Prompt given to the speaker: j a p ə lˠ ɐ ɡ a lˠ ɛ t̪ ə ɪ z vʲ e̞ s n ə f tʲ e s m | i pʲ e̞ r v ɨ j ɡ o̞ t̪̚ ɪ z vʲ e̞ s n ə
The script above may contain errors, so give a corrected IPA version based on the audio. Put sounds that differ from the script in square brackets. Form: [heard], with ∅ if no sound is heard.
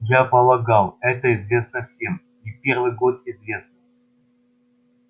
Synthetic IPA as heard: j a p ə lˠ ɐ ɡ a lˠ ɛ t̪ ə ɪ z vʲ e̞ s n ə f [sʲ] e [∅] m | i pʲ e̞ r v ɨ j ɡ o̞ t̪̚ ɪ z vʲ e̞ s n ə

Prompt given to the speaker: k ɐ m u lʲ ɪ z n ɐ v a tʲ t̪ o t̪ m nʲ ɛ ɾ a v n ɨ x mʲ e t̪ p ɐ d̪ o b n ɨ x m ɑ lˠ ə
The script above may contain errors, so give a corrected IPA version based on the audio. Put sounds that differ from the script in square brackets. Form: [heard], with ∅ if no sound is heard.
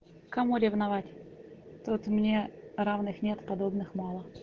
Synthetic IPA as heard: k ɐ m u [ɾʲ] ɪ [v] n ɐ v a tʲ t̪ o t̪ m nʲ [e] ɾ a v n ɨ x [nʲ] e t̪ p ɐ d̪ o b n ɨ x m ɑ lˠ ə

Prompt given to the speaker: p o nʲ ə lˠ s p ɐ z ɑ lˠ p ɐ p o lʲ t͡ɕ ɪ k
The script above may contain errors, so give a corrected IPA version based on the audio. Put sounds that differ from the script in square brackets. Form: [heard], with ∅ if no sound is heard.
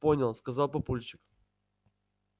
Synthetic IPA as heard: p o nʲ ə lˠ s [k] ɐ z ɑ lˠ p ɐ p [u] lʲ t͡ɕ ɪ k

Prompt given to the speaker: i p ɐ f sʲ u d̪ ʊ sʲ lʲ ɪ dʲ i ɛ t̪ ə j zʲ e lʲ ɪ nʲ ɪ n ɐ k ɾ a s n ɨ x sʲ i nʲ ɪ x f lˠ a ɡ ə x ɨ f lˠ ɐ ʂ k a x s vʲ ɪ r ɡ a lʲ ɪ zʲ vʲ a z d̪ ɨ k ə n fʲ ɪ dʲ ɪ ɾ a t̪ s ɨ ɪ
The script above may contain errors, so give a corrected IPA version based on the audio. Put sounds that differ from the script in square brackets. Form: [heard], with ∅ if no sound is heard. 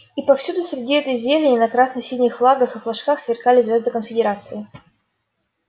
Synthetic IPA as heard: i p ɐ f sʲ u d̪ ʊ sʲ [ɾʲ] ɪ dʲ i ɛ t̪ ə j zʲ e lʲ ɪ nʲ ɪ n ɐ k ɾ a s n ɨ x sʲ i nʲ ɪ x f lˠ a ɡ ə x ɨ f lˠ ɐ ʂ k a x s vʲ ɪ r [k] a lʲ ɪ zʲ vʲ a z d̪ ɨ k ə n fʲ ɪ dʲ ɪ ɾ a t̪ s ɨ ɪ

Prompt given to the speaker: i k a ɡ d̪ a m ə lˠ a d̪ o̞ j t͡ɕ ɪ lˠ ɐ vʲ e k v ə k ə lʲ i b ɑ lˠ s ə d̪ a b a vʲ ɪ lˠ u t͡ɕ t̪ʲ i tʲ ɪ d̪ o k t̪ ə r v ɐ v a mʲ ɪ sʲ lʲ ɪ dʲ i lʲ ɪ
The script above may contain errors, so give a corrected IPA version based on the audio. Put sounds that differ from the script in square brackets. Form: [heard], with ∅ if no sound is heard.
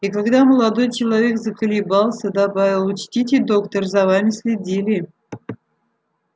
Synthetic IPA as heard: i k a ɡ d̪ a m ə lˠ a d̪ o̞ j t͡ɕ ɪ lˠ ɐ vʲ e k [z] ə k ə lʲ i b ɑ lˠ s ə d̪ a b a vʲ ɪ lˠ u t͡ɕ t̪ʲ i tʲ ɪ d̪ o k t̪ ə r [z] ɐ v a mʲ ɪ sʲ lʲ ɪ dʲ i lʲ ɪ

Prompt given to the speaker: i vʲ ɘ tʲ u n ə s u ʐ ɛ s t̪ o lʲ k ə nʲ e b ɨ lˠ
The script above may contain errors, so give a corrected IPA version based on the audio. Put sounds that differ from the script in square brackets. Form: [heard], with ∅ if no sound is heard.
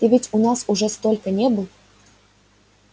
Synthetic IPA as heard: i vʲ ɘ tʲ u n [ɑ] s u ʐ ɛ s t̪ o lʲ k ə nʲ e b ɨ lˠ

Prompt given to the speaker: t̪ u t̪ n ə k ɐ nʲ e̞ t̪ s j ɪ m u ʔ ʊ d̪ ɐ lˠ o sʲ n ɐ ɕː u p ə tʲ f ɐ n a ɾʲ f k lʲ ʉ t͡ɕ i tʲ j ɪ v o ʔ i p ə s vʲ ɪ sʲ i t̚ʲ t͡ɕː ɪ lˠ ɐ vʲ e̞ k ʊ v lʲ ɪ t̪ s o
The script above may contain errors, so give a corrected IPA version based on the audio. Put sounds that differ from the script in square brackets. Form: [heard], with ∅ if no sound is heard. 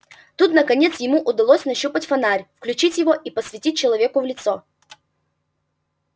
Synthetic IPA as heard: t̪ u t̪ n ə k ɐ nʲ e̞ t̪ s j ɪ m u ʔ ʊ d̪ ɐ lˠ o sʲ n ɐ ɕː u p ə tʲ f ɐ n a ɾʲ f k lʲ ʉ t͡ɕ i tʲ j ɪ v o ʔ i p ə s vʲ ɪ [tʲ] i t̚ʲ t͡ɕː ɪ lˠ ɐ vʲ e̞ k ʊ v lʲ ɪ t̪ s o

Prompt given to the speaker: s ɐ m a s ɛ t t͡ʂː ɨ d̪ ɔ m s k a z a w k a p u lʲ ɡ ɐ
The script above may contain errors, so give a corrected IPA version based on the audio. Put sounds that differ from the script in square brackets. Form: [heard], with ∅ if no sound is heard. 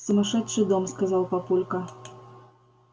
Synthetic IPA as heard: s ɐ m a [ʂ] ɛ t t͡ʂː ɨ d̪ ɔ m s k a z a w [p] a p u lʲ [k] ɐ

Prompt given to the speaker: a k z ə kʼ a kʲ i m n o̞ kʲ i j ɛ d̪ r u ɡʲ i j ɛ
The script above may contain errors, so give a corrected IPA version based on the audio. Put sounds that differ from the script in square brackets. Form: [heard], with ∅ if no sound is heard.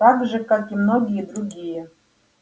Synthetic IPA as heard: a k [ʐ] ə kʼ a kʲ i m n o̞ [ɡʲ] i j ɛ d̪ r u ɡʲ i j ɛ

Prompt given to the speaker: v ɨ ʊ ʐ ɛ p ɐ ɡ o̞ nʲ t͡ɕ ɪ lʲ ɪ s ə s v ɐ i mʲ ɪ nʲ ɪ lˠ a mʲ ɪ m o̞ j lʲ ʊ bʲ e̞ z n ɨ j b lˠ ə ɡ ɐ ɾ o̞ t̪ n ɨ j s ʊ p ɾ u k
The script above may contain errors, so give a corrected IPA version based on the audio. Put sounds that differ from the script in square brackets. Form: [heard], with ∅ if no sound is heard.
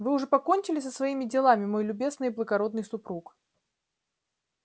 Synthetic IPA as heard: v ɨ ʊ ʐ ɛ p ɐ [k] o̞ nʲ t͡ɕ ɪ lʲ ɪ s ə s v ɐ i mʲ ɪ [dʲ] ɪ lˠ a mʲ ɪ m o̞ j lʲ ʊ bʲ e̞ z n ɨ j b lˠ ə ɡ ɐ ɾ o̞ [d̪] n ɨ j s ʊ p ɾ u k

